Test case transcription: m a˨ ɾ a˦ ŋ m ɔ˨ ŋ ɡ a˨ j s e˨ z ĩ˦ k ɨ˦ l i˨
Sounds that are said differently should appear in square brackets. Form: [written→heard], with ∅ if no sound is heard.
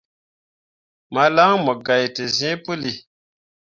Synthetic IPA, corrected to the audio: m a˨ [ɾ→l] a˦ ŋ m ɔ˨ [ŋ→∅] ɡ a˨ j [s→t] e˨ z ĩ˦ [k→p] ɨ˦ l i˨